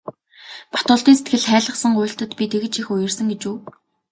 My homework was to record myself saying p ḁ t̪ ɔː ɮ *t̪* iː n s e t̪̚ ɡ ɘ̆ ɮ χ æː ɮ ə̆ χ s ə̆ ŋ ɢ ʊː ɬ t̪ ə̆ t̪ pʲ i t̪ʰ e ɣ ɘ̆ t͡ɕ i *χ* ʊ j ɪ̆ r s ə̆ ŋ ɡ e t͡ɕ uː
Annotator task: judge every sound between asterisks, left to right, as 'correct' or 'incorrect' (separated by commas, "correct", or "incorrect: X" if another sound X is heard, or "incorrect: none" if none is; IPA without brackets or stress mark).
correct, incorrect: x